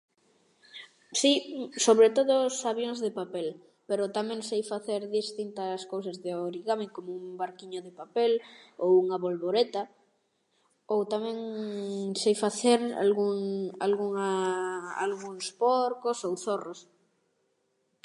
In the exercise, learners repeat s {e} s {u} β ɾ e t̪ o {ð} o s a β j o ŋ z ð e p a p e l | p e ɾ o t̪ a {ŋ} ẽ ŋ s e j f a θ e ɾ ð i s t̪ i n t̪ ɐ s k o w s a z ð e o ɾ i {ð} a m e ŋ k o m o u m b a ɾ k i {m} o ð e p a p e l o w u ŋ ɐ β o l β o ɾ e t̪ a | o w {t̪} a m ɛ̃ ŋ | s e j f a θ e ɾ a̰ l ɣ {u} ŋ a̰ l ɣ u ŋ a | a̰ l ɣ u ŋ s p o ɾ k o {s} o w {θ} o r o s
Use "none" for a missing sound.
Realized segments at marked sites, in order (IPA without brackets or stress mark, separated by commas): i, o, ð, m, ɣ, ɲ, t̪, u, s, θ